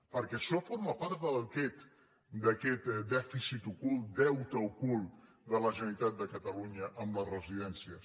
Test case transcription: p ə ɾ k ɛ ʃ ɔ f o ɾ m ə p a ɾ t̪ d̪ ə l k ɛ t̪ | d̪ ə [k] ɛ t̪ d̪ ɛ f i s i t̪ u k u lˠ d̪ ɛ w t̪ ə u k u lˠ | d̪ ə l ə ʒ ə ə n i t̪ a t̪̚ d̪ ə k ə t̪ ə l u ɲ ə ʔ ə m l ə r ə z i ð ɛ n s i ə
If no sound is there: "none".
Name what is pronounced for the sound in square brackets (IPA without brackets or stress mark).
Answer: k